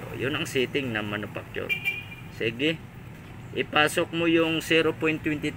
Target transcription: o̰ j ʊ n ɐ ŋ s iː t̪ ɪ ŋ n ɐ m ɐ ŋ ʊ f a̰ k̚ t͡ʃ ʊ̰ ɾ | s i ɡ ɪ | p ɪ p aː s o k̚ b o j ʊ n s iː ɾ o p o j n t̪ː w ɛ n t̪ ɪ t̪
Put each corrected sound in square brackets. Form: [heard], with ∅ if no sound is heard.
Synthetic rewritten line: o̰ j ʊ n ɐ ŋ s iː t̪ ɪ ŋ n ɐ m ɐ [n] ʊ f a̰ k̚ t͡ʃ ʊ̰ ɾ | s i ɡ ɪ | [ʔ] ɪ p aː s o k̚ [m] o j ʊ [ŋ] s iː ɾ o p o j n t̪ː w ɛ n t̪ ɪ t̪